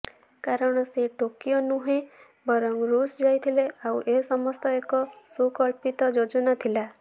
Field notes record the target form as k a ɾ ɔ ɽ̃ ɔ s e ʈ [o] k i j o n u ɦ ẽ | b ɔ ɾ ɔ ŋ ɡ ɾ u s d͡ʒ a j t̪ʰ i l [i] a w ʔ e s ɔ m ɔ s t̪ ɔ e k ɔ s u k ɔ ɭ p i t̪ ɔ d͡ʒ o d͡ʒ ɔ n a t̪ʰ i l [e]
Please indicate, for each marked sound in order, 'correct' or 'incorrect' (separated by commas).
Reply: correct, incorrect, incorrect